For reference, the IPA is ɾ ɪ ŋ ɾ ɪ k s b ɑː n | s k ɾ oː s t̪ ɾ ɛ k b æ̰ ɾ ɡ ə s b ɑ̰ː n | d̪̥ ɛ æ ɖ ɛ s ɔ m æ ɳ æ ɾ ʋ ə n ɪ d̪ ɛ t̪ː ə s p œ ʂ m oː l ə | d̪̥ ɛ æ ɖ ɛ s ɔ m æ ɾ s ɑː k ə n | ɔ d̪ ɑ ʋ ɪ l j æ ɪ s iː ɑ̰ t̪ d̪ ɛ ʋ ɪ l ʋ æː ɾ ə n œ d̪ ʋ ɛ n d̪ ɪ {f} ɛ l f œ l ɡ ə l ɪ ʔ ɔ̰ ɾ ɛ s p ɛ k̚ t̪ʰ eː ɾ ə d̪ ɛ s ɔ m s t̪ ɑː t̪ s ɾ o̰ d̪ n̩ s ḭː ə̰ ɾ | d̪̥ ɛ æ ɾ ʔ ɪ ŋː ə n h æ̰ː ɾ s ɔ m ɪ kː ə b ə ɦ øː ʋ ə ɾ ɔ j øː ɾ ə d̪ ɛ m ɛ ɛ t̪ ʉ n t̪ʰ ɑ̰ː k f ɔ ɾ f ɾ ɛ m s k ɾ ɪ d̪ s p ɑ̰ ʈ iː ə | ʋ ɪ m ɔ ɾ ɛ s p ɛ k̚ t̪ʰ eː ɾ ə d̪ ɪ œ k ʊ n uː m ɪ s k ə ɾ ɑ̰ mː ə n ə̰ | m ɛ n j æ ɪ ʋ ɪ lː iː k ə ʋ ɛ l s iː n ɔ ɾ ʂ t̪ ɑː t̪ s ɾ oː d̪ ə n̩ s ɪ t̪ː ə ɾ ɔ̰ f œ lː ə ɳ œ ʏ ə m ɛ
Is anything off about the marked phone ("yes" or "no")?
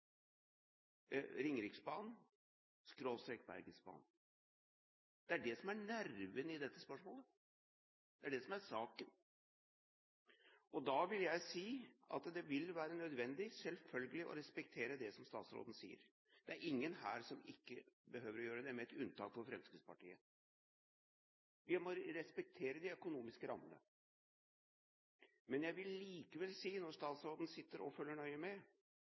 yes